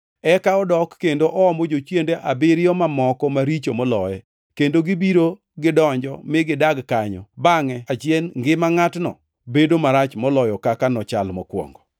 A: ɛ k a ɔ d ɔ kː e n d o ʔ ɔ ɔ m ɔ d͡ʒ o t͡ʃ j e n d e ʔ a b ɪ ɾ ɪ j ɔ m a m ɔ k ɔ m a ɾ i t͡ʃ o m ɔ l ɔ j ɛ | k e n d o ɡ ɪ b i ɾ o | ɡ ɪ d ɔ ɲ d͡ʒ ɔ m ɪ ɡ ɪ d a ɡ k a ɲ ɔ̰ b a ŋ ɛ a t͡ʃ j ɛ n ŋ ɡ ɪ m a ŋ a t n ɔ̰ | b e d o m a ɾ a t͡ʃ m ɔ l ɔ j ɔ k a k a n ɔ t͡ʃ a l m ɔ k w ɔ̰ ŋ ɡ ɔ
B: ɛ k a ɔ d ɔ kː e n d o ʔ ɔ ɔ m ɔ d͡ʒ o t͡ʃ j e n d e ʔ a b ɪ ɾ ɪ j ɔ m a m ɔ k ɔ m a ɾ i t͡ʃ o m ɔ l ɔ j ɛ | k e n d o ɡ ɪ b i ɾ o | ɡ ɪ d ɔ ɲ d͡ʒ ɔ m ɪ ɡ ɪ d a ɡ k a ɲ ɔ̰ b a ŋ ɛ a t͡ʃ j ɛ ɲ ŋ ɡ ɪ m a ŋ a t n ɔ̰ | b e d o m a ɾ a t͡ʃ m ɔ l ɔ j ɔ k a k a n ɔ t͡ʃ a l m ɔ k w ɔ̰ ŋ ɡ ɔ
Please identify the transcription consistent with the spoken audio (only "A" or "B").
A